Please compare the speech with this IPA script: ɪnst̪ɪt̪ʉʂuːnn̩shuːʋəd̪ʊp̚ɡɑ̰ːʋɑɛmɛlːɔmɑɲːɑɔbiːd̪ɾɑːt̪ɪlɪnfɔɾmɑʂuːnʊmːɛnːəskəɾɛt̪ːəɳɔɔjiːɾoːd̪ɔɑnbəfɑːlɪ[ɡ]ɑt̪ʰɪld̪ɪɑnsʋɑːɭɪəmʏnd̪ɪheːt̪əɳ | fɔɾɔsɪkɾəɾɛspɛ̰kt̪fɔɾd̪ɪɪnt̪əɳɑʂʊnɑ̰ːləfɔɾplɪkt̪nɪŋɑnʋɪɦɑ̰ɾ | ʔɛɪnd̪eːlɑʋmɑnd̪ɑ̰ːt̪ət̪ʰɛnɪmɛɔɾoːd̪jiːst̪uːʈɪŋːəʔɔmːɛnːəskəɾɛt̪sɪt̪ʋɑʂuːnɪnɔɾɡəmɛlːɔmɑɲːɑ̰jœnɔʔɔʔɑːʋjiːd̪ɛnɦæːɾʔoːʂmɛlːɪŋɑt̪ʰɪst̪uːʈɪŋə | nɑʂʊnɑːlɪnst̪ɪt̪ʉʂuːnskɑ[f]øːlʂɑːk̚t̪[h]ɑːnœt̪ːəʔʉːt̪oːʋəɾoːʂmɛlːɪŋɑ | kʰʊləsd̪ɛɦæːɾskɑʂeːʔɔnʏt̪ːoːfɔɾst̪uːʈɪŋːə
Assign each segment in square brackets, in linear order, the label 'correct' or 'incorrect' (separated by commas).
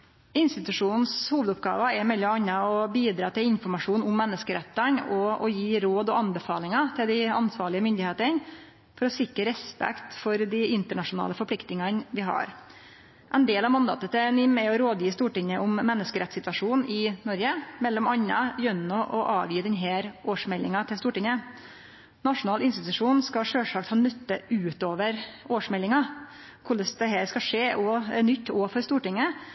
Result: incorrect, incorrect, correct